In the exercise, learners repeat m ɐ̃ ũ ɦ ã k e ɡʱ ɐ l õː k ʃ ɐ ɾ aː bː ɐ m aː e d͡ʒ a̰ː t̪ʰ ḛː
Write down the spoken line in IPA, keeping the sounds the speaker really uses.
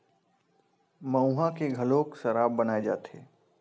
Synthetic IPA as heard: m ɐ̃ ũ ɦ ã k e ɡʱ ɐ l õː k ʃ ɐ ɾ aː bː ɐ n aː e d͡ʒ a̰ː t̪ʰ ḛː